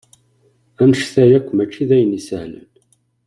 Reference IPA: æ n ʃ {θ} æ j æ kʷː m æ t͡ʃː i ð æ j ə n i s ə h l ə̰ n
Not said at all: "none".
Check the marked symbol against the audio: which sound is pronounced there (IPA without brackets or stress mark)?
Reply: θ